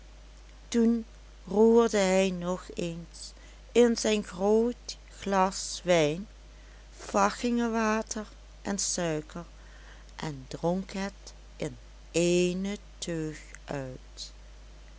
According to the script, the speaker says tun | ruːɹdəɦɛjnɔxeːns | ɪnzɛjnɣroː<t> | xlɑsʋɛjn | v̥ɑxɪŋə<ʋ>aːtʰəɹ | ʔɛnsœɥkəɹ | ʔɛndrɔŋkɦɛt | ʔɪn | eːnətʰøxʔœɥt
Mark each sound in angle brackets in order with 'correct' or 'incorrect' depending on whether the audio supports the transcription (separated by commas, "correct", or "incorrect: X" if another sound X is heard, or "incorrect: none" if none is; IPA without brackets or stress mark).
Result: correct, correct